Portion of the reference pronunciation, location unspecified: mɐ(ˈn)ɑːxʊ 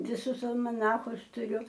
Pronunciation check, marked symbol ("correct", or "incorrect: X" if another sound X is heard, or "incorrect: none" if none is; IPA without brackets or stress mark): correct